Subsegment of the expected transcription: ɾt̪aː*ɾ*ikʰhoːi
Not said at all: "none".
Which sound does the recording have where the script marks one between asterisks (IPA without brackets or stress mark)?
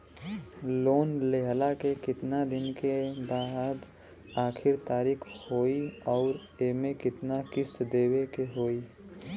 ɾ